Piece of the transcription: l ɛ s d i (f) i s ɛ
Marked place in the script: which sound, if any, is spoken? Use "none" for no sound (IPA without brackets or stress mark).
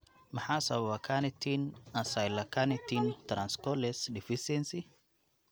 f